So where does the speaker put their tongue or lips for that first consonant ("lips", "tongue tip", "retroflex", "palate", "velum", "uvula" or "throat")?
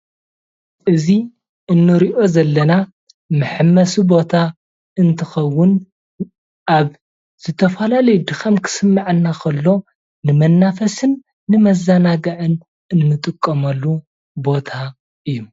throat